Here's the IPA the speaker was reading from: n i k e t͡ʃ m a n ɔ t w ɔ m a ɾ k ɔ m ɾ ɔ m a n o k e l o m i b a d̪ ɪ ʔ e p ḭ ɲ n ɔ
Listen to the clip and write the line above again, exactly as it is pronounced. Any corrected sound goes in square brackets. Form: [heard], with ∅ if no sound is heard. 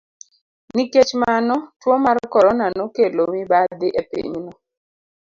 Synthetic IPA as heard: n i k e t͡ʃ m a n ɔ t w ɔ m a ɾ k ɔ [∅] ɾ ɔ [n] a n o k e l o m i b a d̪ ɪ ʔ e p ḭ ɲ n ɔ